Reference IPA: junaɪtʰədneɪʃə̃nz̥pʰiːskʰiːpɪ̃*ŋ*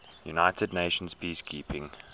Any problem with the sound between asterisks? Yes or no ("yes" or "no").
no